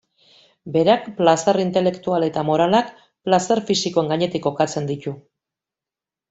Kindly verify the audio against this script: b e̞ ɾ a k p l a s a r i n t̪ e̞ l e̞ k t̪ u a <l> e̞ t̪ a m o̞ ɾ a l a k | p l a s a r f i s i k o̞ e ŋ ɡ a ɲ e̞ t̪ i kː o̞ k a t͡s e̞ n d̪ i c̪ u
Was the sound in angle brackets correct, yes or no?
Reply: yes